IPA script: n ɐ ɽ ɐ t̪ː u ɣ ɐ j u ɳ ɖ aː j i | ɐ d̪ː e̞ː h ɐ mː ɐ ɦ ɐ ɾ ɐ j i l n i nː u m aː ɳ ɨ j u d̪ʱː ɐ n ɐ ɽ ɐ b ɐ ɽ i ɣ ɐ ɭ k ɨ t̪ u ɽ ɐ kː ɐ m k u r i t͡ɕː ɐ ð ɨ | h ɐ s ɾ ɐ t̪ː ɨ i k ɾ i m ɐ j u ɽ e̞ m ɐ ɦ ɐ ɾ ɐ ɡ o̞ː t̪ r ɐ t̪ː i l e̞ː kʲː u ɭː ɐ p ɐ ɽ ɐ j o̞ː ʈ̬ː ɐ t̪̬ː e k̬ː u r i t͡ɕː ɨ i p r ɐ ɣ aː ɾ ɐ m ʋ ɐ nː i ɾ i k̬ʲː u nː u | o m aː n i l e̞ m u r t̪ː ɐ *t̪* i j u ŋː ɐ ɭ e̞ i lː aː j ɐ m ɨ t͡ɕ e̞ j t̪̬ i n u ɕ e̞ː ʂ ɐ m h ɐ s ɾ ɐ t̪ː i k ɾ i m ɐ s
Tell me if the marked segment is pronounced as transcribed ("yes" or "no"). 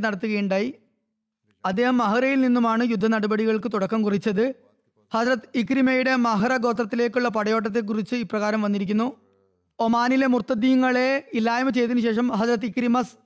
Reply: no